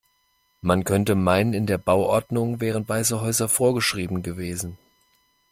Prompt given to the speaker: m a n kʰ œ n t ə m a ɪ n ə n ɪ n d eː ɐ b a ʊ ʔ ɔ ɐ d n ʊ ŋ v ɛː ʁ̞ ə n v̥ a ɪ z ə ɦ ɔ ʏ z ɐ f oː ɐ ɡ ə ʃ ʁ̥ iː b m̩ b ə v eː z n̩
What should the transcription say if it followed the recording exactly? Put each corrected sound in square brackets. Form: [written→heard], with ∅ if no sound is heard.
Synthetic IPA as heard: m a n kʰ œ n t ə m a ɪ n ə n ɪ n d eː ɐ b a ʊ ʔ ɔ ɐ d n ʊ ŋ v ɛː ʁ̞ ə n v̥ a ɪ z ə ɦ ɔ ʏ z ɐ f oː ɐ ɡ ə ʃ ʁ̥ iː b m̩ [b→ɡ] ə v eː z n̩